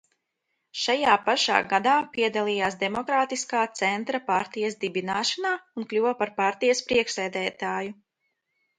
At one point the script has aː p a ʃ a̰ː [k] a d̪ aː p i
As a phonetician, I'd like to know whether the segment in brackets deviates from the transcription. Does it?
yes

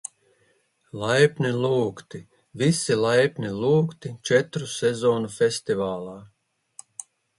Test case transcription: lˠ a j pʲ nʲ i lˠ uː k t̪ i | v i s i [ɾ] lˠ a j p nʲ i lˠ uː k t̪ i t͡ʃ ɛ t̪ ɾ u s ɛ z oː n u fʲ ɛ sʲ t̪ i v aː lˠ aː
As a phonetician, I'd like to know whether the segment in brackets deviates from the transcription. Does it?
yes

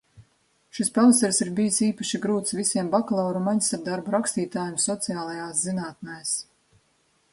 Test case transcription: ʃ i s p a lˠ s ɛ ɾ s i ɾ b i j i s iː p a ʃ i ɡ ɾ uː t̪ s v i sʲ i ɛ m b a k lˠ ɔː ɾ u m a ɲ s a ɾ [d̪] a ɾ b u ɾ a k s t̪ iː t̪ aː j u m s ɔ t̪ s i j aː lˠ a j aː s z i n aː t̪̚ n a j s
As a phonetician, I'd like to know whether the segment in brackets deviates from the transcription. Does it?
no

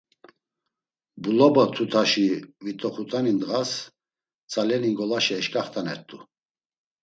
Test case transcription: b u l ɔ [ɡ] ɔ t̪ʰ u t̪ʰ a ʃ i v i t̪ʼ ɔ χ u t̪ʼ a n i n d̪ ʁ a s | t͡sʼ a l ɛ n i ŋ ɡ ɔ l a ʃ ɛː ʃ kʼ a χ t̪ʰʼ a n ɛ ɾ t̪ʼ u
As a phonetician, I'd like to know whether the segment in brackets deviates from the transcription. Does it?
yes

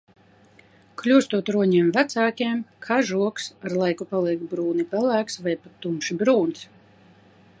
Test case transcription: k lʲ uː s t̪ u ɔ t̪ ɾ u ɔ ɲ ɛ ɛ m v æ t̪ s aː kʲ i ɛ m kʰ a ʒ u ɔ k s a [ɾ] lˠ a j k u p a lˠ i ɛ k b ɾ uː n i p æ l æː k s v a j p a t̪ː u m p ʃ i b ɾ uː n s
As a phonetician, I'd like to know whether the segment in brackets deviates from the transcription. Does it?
no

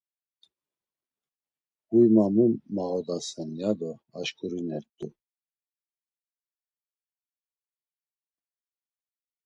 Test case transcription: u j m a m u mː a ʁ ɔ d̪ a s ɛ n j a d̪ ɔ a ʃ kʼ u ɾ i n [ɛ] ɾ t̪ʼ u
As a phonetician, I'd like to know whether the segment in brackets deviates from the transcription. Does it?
no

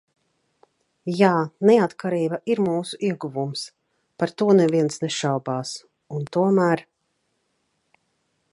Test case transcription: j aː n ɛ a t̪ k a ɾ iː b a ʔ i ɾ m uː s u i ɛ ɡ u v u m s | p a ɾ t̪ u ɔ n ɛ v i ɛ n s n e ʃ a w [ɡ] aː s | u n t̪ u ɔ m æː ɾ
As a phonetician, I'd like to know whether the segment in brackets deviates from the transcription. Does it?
yes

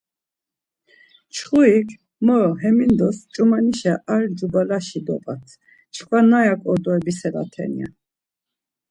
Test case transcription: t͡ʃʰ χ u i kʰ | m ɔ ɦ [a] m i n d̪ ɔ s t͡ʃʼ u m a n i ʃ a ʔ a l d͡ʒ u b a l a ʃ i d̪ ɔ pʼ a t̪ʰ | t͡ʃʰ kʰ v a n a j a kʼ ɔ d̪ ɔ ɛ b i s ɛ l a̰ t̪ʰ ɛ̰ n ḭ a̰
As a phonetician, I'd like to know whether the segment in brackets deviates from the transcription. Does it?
yes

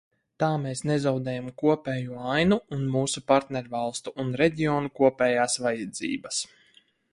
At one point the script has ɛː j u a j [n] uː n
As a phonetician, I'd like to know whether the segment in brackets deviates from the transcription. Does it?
no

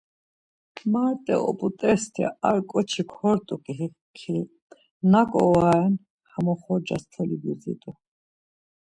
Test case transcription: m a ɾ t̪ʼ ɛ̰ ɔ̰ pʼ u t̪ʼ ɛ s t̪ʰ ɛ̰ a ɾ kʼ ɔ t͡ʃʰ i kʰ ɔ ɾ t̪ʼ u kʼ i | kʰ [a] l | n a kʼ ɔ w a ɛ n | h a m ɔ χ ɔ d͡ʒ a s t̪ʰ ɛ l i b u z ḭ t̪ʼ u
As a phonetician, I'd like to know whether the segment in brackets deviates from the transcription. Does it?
yes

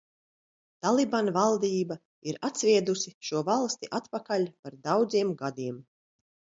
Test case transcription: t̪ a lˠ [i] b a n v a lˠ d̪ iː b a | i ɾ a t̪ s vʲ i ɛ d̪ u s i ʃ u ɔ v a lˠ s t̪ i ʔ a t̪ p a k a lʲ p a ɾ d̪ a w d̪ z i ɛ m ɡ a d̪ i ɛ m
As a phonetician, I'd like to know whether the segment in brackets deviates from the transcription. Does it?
no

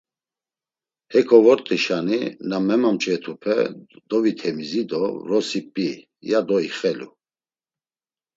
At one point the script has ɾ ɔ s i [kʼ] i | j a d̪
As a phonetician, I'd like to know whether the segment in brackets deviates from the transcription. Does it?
yes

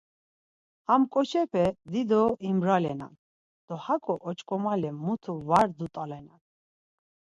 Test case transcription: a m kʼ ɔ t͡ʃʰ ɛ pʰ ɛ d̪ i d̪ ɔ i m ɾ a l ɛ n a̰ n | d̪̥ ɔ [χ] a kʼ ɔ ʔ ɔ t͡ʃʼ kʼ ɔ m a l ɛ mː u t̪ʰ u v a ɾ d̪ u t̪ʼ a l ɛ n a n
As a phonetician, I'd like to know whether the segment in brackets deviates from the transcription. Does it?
yes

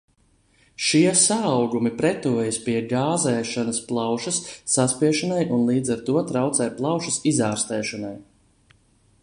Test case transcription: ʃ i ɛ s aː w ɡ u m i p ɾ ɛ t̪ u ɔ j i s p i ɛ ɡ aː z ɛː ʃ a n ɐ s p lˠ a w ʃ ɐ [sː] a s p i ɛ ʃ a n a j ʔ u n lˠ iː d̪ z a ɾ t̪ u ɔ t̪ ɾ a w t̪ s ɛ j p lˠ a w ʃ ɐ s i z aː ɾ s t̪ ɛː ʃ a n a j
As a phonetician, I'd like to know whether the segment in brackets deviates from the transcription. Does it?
no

